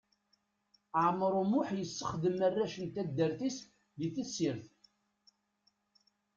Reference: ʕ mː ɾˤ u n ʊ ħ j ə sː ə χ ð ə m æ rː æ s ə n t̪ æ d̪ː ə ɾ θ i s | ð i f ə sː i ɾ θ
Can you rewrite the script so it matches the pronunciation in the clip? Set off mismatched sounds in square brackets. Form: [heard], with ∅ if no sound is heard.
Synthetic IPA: ʕ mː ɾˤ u [m] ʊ ħ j ə sː ə χ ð ə m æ rː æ [ʃ] ə n t̪ æ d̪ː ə ɾ θ i s | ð i [θ] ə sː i ɾ θ